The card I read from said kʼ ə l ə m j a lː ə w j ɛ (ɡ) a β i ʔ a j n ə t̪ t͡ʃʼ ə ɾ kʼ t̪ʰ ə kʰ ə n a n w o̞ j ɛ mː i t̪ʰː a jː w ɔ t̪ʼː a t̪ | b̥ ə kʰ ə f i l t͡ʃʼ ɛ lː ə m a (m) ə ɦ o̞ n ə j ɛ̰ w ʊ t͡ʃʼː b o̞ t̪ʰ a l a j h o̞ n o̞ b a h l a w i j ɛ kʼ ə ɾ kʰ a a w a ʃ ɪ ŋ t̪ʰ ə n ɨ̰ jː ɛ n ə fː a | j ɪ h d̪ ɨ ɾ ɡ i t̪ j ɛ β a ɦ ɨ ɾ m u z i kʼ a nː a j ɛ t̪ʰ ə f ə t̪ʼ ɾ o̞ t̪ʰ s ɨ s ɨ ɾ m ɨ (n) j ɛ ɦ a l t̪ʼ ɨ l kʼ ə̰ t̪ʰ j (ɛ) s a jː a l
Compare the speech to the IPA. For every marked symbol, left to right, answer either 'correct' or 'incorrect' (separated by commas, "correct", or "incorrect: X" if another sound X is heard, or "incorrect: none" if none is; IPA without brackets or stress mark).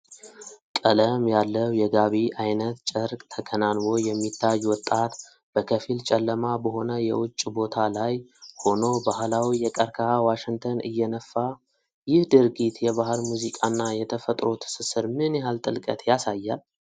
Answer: correct, incorrect: b, correct, incorrect: a